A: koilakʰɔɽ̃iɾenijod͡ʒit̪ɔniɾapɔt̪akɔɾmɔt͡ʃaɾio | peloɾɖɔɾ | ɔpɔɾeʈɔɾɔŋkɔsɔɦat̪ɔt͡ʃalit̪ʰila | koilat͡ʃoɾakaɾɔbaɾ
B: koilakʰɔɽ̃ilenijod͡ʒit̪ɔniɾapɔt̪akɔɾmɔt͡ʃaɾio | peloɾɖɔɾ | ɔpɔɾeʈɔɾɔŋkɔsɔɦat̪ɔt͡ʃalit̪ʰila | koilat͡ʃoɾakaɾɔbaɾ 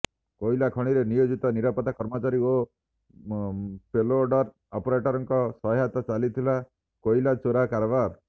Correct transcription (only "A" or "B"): A